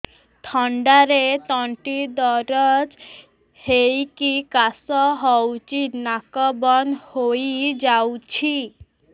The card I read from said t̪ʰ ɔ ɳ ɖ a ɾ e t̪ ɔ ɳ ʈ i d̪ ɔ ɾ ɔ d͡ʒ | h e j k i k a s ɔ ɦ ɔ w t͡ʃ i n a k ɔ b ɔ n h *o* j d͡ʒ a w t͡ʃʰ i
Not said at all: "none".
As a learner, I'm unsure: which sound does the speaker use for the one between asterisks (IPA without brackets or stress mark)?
o